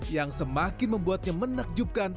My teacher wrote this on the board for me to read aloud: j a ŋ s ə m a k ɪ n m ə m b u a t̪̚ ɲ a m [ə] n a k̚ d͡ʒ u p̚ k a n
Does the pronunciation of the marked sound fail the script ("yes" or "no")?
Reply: no